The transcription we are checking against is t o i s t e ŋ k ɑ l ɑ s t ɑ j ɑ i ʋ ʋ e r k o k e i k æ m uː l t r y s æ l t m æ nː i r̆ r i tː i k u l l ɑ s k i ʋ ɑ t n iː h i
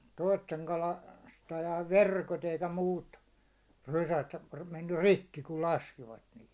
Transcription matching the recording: t o i s t e ŋ k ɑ l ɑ s t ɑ j ɑ i ʋ ʋ e r k o t e i k æ m uː t r y s æ t m e nː y r̆ r i kː i k u l l ɑ s k i ʋ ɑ t n iː h i